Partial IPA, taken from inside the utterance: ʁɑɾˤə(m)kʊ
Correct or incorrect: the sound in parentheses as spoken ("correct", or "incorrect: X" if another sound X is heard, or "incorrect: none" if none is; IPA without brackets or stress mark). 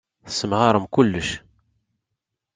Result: correct